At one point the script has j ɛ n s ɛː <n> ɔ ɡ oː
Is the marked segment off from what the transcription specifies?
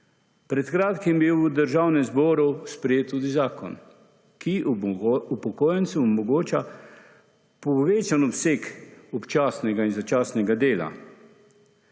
yes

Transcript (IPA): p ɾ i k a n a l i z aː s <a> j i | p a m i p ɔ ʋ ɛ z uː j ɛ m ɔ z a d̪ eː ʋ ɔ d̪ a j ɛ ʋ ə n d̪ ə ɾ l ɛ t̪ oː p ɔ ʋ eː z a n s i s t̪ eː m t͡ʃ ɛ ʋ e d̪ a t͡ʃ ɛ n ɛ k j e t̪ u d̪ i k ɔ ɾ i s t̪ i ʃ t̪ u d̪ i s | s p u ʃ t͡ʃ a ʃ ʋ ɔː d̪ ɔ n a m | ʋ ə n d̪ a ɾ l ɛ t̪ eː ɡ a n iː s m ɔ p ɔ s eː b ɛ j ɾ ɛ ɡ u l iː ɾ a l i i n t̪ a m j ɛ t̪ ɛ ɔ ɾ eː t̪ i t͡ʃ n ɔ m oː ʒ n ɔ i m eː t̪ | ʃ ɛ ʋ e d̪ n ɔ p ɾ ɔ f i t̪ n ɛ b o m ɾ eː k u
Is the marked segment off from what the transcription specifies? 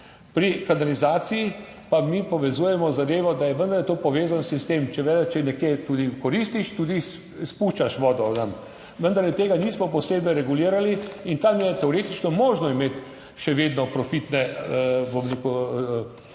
yes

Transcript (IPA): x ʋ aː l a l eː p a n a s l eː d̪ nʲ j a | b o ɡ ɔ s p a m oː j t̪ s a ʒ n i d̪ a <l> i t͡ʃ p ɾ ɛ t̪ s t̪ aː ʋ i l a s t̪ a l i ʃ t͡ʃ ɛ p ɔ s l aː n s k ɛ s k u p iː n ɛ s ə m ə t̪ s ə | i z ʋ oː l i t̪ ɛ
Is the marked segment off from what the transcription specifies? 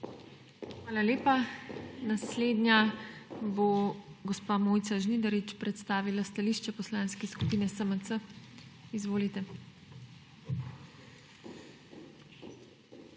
yes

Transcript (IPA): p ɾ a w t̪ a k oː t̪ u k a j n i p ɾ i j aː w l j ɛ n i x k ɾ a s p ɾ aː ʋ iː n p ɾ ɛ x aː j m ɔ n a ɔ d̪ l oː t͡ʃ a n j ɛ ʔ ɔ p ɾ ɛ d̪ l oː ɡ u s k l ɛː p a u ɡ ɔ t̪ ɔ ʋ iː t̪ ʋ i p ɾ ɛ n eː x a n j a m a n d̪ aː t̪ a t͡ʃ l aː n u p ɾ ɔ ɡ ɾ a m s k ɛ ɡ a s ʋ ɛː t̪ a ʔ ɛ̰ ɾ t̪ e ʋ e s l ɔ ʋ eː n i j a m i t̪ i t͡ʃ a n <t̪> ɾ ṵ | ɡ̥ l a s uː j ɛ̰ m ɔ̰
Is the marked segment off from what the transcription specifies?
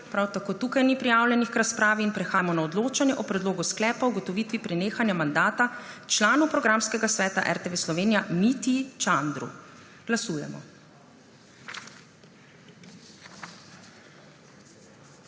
yes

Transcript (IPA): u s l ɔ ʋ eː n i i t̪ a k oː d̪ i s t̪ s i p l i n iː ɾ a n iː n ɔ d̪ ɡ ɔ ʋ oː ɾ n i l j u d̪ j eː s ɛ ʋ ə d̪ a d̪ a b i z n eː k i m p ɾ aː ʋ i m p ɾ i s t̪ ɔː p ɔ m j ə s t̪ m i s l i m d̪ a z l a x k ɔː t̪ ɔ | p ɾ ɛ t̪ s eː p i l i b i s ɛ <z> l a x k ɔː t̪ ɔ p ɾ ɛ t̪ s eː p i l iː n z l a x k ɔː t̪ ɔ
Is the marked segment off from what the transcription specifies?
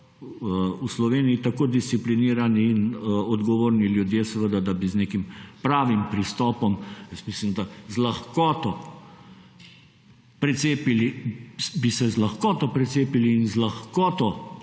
no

